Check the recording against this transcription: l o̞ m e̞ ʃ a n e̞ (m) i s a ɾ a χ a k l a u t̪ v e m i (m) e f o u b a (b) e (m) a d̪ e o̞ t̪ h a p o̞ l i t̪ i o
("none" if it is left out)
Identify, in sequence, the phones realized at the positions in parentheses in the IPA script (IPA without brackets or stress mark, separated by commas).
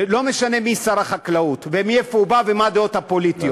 m, none, v, m